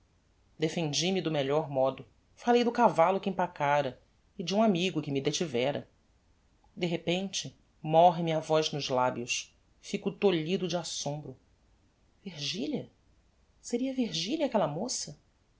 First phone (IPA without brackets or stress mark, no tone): d̪